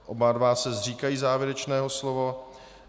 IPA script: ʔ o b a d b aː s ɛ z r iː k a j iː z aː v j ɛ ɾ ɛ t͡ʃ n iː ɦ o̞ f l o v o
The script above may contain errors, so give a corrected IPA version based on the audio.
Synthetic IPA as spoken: ʔ o b a d v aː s ɛ z r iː k a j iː z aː v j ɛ ɾ ɛ t͡ʃ n ɛː ɦ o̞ s l o v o